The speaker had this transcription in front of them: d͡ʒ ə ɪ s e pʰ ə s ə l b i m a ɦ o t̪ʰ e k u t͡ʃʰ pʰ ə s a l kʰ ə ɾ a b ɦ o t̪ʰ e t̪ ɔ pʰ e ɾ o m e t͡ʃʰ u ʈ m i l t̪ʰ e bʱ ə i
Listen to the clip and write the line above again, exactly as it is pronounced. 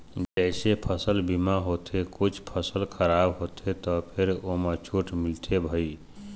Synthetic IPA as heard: d͡ʒ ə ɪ s e pʰ ə s ə l b i m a ɦ o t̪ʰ e k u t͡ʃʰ pʰ ə s ə l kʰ ə ɾ a b ɦ o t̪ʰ e t̪ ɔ pʰ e ɾ o m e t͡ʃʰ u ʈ m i l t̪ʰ e bʱ ə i